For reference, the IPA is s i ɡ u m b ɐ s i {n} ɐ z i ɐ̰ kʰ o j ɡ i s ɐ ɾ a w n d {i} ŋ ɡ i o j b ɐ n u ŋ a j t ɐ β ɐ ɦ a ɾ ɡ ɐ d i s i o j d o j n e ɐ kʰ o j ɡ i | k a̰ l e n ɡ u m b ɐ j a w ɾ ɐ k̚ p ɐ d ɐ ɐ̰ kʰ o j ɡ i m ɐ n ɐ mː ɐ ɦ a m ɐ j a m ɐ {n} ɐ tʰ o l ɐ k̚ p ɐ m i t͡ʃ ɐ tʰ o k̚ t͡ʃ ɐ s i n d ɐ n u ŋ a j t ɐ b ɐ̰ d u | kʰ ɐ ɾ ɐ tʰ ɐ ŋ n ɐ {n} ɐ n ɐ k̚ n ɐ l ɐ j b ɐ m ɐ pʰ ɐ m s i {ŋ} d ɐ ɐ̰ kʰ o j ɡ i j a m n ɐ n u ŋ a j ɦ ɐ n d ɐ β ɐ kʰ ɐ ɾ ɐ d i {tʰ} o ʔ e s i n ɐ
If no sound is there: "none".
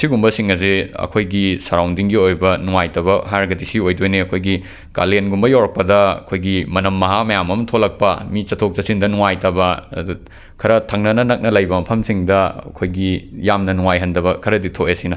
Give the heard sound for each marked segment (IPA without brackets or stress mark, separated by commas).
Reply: ŋ, i, m, n, ŋ, tʰ